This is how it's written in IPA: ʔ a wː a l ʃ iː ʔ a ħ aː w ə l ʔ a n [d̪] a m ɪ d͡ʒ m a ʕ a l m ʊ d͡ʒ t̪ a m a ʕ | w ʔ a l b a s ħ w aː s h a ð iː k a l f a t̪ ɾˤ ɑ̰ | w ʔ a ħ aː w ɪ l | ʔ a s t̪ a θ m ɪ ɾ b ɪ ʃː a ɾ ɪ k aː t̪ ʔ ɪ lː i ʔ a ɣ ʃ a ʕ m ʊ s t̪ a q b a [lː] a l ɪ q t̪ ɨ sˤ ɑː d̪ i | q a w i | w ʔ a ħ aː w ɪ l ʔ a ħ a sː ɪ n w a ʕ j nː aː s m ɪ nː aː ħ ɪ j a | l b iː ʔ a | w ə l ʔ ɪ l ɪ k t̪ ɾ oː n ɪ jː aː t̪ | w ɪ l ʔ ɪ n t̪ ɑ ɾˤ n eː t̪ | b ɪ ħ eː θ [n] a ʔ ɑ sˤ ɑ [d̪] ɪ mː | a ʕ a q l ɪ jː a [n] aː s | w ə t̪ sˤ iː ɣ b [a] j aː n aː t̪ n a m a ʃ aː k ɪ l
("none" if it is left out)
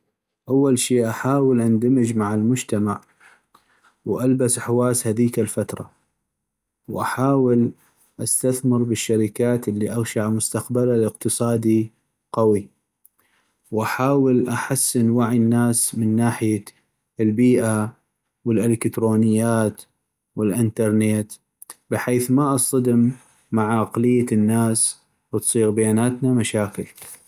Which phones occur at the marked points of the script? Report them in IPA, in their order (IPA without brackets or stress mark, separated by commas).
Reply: d̪, l, m, d̪, nː, a